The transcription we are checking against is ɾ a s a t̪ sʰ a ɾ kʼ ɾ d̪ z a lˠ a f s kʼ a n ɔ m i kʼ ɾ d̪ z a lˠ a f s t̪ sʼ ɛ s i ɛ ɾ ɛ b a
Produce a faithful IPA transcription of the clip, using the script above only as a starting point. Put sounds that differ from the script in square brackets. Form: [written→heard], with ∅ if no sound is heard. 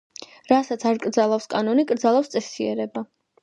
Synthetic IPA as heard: ɾ a s a t̪ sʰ a ɾ kʼ ɾ d̪ z a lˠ a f s kʼ a n ɔ [m→n] i kʼ ɾ d̪ z a lˠ a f s t̪ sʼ ɛ s i ɛ ɾ ɛ b a